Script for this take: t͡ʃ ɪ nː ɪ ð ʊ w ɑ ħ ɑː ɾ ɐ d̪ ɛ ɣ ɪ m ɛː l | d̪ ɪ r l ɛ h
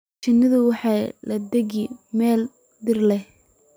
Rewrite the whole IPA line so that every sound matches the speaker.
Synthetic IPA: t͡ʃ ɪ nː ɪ ð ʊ w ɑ ħ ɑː l ɐ d̪ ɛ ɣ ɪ m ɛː l | d̪ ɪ r l ɛ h